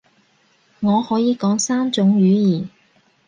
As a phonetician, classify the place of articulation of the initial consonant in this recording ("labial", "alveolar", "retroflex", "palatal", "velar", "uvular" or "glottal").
velar